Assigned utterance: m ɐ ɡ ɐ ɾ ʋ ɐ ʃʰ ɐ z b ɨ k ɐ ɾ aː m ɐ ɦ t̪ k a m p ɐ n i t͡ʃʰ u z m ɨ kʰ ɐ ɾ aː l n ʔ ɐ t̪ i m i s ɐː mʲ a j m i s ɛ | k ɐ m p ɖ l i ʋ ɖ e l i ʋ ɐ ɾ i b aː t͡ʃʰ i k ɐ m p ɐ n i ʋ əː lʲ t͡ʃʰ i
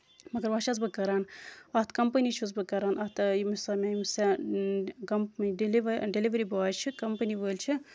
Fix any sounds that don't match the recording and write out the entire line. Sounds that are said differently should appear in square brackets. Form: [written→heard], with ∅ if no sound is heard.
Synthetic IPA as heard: m ɐ ɡ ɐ ɾ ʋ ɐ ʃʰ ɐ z b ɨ k ɐ ɾ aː [m→n] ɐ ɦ t̪ k [a→ɐ] m p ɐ n i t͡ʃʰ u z [m→b] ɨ [kʰ→k] ɐ ɾ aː [l→∅] n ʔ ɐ t̪ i m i s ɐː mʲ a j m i s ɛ | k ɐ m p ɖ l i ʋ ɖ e l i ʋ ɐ ɾ i b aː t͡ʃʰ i k ɐ m p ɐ n i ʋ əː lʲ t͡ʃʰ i

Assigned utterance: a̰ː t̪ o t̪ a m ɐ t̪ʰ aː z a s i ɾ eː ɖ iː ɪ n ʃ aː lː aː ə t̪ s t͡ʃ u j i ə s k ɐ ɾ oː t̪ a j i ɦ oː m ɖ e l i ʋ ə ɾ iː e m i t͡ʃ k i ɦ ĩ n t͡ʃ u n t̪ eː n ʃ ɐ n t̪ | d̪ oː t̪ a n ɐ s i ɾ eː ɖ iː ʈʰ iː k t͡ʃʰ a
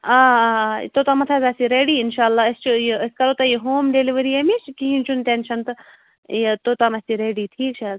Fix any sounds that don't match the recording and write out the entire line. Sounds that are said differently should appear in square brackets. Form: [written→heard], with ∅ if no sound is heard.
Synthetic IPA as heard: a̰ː t̪ o t̪ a m ɐ t̪ʰ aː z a s i ɾ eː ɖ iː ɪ n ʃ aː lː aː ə [t̪→∅] s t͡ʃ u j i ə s k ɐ ɾ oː t̪ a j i ɦ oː m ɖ e l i ʋ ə ɾ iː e m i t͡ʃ k i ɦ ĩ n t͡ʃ u n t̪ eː n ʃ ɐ n t̪ | [d̪→t̪] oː t̪ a [n→m] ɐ s i ɾ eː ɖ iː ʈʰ iː k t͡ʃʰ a

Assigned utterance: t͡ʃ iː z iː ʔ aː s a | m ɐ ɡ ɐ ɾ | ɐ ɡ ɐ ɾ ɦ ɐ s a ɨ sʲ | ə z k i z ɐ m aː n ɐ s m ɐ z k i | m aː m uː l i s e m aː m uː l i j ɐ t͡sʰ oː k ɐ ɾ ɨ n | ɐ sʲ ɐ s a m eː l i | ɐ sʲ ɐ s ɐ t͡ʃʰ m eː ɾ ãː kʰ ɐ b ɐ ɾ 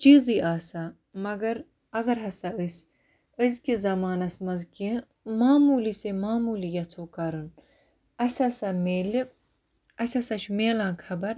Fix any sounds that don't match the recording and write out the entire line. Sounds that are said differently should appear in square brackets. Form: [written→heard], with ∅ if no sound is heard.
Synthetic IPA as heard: t͡ʃ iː z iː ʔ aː s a | m ɐ ɡ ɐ ɾ | ɐ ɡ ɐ ɾ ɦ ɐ s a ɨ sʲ | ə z k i z ɐ m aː n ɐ s m ɐ z k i | m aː m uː l i s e m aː m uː l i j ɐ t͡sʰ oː k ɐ ɾ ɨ n | ɐ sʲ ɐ s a m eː l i | ɐ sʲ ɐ s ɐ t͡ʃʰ m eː [ɾ→l] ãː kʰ ɐ b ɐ ɾ

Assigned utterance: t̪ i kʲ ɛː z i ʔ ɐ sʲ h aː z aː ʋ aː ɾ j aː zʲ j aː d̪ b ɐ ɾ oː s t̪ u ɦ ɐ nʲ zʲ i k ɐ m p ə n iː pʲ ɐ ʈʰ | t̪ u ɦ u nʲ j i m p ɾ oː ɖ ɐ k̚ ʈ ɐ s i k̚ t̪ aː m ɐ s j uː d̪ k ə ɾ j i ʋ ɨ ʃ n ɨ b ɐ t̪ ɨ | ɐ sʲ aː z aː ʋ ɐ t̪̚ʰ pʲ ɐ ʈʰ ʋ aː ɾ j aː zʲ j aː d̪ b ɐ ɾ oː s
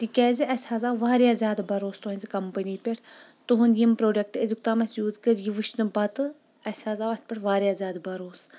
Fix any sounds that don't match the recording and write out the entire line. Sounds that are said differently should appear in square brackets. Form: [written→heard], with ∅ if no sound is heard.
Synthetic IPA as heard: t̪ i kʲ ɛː z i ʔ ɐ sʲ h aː z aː ʋ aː ɾ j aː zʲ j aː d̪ b ɐ ɾ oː s t̪ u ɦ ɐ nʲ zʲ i k ɐ m p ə n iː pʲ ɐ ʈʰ | t̪ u ɦ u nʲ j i m p ɾ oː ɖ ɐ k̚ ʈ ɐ [s→z] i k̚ t̪ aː m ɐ s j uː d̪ k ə ɾ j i ʋ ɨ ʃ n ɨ b ɐ t̪ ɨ | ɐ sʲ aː z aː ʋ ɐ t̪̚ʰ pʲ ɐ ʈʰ ʋ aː ɾ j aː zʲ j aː d̪ b ɐ ɾ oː s

